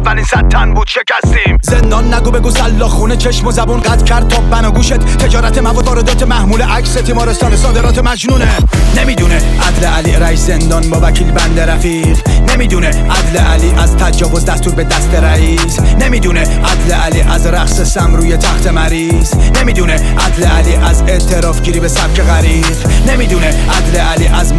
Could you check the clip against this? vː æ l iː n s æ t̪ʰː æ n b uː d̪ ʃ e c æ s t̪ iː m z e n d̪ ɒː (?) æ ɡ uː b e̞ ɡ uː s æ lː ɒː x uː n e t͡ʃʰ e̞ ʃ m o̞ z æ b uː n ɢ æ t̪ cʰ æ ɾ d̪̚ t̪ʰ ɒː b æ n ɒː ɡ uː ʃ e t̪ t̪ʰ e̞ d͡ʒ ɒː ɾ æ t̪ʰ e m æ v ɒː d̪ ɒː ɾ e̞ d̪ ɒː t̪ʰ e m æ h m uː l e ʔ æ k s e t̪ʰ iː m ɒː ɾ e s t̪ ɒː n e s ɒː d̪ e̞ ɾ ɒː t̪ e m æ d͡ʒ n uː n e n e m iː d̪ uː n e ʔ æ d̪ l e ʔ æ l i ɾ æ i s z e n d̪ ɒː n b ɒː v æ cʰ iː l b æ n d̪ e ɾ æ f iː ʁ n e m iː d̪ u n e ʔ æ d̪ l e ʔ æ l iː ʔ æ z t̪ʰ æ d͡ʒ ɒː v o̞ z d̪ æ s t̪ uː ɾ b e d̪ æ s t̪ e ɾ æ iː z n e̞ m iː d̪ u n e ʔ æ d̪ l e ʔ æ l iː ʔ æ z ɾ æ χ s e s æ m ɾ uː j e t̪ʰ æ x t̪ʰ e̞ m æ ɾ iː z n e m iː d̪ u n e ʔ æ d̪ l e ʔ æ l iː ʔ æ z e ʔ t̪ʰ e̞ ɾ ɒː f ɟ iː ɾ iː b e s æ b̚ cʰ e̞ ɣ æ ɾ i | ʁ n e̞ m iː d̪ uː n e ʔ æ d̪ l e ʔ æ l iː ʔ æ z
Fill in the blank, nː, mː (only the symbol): nː